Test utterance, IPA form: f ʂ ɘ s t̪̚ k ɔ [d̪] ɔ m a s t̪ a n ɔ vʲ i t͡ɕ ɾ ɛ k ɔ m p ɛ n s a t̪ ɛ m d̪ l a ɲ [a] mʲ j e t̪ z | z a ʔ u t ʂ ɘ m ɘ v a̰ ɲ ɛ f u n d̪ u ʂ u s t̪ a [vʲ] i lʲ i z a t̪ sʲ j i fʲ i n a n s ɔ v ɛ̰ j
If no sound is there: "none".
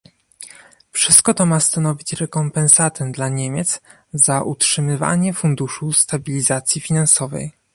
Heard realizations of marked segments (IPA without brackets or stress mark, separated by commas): t̪, e, bʲ